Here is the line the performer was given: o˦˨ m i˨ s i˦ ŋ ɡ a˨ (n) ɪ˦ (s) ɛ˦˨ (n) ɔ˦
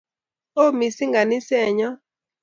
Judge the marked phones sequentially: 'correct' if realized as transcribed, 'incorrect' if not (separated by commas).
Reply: correct, correct, incorrect